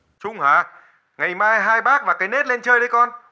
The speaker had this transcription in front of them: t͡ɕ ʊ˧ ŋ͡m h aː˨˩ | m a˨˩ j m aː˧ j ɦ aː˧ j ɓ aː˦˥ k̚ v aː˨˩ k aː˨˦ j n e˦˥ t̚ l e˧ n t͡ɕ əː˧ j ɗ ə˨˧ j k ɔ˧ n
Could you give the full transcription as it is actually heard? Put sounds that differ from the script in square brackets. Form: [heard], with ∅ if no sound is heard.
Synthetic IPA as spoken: t͡ɕ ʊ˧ ŋ͡m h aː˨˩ | [ŋ] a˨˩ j m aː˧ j ɦ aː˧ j ɓ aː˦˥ k̚ v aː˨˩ k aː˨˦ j n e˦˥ t̚ l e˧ n t͡ɕ əː˧ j ɗ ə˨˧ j k ɔ˧ n